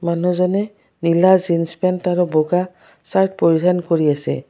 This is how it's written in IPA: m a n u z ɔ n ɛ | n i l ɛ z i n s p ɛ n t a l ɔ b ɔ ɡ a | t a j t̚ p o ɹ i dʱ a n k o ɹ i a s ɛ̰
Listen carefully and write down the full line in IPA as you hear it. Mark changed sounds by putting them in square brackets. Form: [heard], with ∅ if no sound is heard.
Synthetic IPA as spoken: m a n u z ɔ n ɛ | n i l [a] z i n s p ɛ n t a [ɹ] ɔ b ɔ ɡ a | [s] a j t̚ p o ɹ i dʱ a n k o ɹ i a s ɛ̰

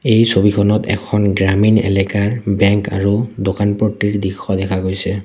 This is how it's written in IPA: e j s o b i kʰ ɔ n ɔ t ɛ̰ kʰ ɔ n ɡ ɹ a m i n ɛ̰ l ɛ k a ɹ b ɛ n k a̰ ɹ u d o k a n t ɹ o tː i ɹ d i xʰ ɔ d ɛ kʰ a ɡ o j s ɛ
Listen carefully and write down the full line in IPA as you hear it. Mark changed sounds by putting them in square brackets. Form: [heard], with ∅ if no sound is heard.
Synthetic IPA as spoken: e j s o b i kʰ ɔ n ɔ t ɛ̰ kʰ ɔ n ɡ ɹ a m i n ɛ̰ l ɛ k a ɹ b ɛ [ŋ] k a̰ ɹ u d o k a n [p] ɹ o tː i ɹ d i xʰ ɔ d ɛ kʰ a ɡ o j s ɛ

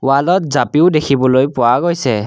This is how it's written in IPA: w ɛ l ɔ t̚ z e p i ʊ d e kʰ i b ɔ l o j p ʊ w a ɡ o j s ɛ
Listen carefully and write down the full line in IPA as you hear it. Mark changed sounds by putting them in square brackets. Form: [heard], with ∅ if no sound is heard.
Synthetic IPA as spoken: w [a] l ɔ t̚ z [a] p i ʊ d e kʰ i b ɔ l o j p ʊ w a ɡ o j s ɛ

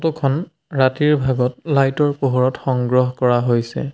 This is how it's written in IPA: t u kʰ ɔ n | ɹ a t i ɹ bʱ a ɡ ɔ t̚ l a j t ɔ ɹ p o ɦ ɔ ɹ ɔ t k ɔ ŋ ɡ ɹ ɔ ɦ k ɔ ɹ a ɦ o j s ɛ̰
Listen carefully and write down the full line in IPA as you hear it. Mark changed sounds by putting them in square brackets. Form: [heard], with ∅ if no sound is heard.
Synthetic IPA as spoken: t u kʰ ɔ n | ɹ a t i ɹ bʱ a ɡ ɔ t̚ l a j t ɔ ɹ p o ɦ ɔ ɹ ɔ t [x] ɔ ŋ ɡ ɹ ɔ ɦ k ɔ ɹ a ɦ o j s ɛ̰

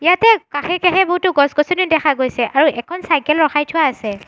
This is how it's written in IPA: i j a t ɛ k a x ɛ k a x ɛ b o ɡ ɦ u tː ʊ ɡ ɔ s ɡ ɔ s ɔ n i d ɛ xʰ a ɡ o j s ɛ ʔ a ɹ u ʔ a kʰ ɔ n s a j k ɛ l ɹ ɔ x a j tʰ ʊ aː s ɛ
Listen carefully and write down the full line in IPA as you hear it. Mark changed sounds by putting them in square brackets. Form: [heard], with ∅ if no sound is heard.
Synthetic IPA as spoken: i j a t ɛ k a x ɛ k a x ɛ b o [∅] ɦ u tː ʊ ɡ ɔ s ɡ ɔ s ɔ n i d ɛ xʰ a ɡ o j s ɛ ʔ a ɹ u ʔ [ɛ] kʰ ɔ n s a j k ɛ l ɹ ɔ x a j tʰ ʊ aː s ɛ

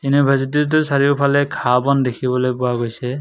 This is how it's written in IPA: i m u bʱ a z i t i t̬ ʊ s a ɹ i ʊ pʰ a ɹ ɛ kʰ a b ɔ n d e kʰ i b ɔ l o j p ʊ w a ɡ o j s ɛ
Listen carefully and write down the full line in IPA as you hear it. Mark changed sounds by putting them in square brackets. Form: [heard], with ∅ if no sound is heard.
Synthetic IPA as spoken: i [n] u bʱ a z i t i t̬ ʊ s a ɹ i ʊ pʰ a [l] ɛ kʰ a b ɔ n d e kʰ i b ɔ l o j p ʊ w a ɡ o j s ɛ

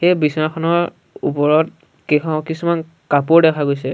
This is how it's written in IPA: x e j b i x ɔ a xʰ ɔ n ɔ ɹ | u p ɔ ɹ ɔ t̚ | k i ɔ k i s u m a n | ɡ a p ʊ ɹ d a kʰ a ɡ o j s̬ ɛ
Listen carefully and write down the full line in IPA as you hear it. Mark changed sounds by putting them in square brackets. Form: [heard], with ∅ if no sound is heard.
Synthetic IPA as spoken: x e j b i [s] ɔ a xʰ ɔ n ɔ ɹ | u p ɔ ɹ ɔ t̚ | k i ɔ k i s u m a n | [k] a p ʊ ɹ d [ɛ] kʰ a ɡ o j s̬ ɛ

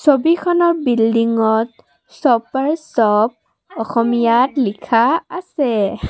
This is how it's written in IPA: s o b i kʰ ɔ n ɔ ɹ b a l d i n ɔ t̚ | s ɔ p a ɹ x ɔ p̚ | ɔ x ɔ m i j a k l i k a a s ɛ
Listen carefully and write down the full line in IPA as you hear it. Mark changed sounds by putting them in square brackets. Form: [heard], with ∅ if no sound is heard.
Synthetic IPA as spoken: s o b i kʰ ɔ n ɔ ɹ b [i] l d i [ŋ] ɔ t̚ | s ɔ p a ɹ [s] ɔ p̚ | ɔ x ɔ m i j a [t] l i [kʰ] a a s ɛ

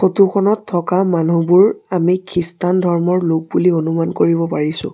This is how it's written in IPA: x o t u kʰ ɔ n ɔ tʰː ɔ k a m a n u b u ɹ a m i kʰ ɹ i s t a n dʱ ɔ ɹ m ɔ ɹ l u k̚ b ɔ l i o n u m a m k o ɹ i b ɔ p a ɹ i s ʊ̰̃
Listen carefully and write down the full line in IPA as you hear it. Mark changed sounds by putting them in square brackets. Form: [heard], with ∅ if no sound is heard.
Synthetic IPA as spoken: x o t u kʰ ɔ n ɔ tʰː ɔ k a m a n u b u ɹ a m i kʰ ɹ i s t a n dʱ ɔ ɹ m ɔ ɹ l [o] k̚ b [u] l i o n u m a [n] k o ɹ i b ɔ p a ɹ i s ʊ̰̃

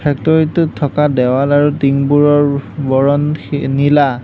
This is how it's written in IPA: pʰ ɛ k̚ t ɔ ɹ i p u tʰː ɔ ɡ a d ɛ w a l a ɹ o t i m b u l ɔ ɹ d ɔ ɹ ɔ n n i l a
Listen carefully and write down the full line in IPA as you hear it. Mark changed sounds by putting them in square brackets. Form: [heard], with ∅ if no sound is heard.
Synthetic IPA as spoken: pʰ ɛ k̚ t ɔ ɹ i [t] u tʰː ɔ [k] a d ɛ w a l a ɹ [u] t i [ŋ] b u [ɹ] ɔ ɹ [b] ɔ ɹ ɔ n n i l a

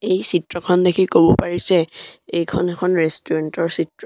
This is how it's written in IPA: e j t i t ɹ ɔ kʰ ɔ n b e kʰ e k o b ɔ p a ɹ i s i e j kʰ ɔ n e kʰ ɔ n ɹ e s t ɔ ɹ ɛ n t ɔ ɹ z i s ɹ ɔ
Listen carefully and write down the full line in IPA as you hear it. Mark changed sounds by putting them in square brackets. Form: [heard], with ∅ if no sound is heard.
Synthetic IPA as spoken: e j [s] i t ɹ ɔ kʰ ɔ n [d] e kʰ [i] k o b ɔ p a ɹ i s [ɛ] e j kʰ ɔ n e kʰ ɔ n ɹ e s t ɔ ɹ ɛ n t ɔ ɹ [s] i [t] ɹ ɔ

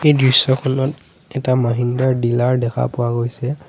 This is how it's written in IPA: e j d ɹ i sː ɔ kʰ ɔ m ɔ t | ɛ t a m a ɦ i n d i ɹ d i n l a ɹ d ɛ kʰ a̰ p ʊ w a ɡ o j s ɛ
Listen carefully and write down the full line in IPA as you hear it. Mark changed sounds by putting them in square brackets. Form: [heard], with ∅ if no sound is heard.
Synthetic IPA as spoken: e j d ɹ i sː ɔ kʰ ɔ [n] ɔ t | ɛ t a m a ɦ i n d [a] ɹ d i [∅] l a ɹ d ɛ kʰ a̰ p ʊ w a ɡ o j s ɛ

